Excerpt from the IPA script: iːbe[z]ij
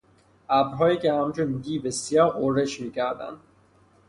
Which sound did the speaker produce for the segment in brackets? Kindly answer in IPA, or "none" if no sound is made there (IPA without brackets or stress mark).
s